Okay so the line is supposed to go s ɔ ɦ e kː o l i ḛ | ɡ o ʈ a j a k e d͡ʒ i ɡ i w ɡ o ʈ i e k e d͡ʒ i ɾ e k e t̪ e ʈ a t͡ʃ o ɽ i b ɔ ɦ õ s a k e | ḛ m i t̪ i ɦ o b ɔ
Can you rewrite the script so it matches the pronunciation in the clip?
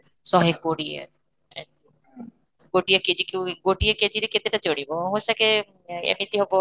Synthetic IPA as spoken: s ɔ ɦ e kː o ɽ i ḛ | ɡ o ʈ i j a k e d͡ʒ i k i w ɡ o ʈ i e k e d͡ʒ i ɾ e k e t̪ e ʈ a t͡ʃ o ɽ i b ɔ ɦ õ s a k e | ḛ m i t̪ i ɦ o b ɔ